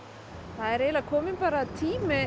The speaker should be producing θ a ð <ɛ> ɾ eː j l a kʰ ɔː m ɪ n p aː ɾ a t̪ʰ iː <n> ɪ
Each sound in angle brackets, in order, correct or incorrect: correct, incorrect

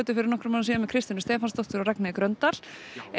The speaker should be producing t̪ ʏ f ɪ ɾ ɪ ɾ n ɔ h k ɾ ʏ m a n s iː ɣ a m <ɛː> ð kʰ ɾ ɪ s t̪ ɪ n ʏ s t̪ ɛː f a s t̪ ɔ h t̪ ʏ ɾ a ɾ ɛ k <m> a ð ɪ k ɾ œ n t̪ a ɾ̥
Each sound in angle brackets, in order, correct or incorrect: incorrect, incorrect

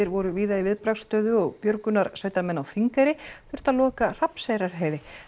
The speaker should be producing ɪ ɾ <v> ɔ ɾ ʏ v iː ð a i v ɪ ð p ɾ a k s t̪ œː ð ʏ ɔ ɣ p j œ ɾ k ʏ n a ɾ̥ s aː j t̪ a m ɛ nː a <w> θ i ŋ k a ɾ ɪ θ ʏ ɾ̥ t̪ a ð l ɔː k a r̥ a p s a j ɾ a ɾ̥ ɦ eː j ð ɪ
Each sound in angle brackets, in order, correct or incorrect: correct, correct

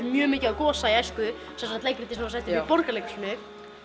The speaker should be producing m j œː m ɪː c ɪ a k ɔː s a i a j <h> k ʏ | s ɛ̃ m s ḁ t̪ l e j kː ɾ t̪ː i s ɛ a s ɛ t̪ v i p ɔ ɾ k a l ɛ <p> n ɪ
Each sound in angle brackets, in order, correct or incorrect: incorrect, incorrect

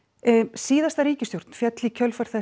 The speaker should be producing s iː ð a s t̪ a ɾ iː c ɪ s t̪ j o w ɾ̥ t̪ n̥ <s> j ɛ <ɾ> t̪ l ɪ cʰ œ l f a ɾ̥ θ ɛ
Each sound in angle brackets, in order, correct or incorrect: incorrect, incorrect

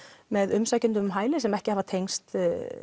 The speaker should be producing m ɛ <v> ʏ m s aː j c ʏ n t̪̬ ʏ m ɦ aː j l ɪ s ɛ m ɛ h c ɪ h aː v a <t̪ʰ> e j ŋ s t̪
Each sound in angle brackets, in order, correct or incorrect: incorrect, correct

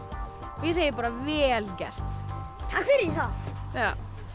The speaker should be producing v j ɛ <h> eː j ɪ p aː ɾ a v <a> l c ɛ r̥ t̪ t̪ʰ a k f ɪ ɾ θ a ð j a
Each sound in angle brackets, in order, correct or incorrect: incorrect, incorrect

